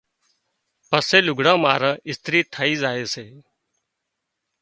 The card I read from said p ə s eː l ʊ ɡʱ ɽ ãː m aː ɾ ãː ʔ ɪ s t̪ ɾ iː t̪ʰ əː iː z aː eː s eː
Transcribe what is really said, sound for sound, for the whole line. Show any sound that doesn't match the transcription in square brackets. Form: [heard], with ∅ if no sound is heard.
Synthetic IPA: p ə s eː l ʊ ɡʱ ɽ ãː m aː ɾ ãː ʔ ɪ s t̪ ɾ iː t̪ʰ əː iː z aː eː s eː